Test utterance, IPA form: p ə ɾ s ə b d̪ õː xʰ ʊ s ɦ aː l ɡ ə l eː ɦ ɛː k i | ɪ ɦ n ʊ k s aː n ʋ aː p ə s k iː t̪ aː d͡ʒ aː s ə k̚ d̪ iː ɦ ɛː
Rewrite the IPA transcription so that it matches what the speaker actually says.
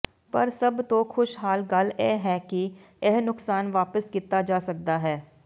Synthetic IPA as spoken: p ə ɾ s ə b t̪ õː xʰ ʊ ʃ ɦ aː l ɡ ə l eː ɦ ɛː k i | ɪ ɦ n ʊ k s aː n ʋ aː p ə s k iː t̪ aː d͡ʒ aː s ə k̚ d̪ aː ɦ ɛː